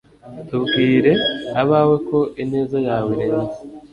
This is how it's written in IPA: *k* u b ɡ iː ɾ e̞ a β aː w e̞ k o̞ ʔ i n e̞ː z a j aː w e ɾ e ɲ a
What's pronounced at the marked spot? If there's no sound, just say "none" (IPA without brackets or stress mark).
t